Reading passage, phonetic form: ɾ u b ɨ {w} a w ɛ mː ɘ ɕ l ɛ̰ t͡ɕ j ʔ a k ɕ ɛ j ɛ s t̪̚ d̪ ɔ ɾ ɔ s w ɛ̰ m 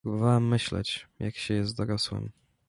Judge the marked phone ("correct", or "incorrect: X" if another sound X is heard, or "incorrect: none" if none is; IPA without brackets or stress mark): incorrect: v